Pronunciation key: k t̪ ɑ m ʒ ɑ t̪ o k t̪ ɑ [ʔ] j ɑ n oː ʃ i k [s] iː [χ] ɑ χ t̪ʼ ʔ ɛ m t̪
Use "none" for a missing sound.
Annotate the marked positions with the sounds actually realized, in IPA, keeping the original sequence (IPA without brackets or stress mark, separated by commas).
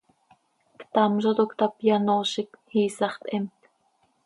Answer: p, h, s